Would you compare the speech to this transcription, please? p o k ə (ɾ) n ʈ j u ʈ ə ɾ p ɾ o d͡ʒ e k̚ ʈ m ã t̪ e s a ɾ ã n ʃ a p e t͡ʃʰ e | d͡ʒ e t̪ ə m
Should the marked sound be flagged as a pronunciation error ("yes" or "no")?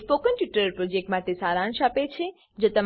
yes